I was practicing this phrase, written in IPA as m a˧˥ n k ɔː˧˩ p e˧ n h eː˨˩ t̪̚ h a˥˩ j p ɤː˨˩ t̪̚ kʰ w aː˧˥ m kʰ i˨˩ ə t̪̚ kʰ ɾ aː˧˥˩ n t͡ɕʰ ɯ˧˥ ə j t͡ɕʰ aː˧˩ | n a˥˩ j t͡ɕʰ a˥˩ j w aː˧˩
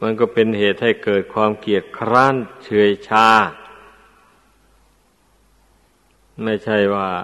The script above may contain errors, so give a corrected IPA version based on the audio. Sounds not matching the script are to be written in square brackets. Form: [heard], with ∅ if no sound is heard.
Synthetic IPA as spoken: m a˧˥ n k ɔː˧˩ p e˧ n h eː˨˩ t̪̚ h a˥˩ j [k] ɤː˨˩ t̪̚ kʰ w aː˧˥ m [k] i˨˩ ə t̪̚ kʰ ɾ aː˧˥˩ n t͡ɕʰ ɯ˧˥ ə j t͡ɕʰ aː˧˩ | [m] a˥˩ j t͡ɕʰ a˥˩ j w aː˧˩